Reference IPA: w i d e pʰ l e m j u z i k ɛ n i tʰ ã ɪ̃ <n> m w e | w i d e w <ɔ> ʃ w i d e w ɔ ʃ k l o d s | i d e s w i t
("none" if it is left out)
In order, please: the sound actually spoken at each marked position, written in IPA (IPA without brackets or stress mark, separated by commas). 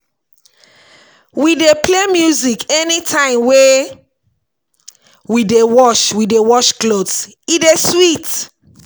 none, ɔ